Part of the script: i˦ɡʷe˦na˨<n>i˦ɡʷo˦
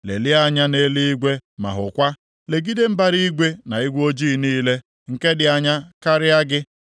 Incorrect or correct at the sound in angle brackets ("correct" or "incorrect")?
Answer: incorrect